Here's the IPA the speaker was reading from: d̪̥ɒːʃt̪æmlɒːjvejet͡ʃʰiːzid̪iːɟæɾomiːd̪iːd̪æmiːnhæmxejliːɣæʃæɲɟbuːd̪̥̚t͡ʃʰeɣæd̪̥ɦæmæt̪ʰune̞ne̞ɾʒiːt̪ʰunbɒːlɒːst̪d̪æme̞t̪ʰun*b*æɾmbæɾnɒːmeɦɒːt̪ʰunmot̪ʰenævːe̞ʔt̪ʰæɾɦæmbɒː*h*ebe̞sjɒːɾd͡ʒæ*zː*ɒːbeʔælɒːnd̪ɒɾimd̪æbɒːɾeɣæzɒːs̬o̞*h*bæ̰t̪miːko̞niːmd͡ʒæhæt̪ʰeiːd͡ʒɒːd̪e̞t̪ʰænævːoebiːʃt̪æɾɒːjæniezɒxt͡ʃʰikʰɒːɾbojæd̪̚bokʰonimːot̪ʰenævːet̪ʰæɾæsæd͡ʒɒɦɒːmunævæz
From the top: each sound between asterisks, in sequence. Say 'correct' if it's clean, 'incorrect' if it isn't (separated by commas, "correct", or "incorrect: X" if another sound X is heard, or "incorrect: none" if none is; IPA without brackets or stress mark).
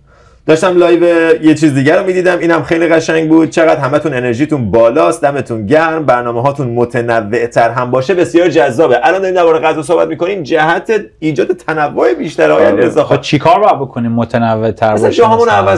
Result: incorrect: ɟ, incorrect: ʃ, correct, correct